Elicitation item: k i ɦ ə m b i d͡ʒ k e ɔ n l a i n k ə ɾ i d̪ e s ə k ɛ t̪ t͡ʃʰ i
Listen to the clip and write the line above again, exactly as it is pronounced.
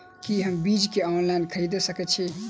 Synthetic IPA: k i ɦ ə m b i d͡ʒ k e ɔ n l a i n kʰ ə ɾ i d̪ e s ə k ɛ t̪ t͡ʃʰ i